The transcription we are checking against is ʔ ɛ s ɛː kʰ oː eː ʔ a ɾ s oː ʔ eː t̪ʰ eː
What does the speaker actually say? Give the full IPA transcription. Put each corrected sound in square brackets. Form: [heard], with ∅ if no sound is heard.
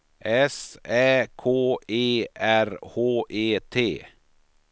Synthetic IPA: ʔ ɛ s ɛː kʰ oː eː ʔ [æ] ɾ [h] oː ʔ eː t̪ʰ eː